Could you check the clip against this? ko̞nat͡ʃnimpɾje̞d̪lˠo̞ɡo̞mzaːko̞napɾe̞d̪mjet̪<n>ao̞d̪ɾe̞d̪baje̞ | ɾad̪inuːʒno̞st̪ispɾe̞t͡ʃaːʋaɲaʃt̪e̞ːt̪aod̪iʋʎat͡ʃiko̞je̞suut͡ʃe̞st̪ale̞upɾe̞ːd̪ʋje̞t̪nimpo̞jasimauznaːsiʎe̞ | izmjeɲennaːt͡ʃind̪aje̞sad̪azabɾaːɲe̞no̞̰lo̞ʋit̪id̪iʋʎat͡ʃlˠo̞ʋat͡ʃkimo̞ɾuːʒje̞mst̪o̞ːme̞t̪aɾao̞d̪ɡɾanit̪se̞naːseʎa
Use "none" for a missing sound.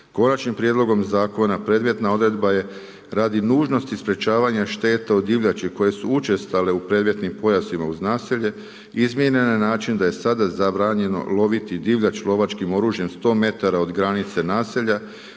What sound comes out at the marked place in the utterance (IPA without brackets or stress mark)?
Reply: n